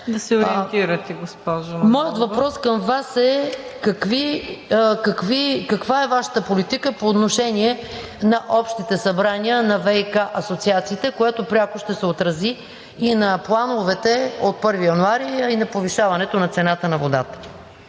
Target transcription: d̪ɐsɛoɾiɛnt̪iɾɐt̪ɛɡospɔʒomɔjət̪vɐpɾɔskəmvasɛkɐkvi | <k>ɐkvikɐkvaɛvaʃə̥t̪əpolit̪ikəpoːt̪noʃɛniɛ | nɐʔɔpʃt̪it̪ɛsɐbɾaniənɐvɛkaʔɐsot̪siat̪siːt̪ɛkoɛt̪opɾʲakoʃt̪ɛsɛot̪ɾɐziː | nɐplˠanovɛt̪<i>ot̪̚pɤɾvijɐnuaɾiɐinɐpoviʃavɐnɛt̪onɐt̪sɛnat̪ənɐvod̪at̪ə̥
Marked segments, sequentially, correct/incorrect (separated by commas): correct, incorrect